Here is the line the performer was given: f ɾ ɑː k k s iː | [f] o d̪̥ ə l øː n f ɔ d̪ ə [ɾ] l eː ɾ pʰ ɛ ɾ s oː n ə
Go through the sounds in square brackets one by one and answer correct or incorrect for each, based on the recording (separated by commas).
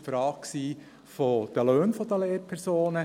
correct, incorrect